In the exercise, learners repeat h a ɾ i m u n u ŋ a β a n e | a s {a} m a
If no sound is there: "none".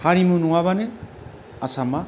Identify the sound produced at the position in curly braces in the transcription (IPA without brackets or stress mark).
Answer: a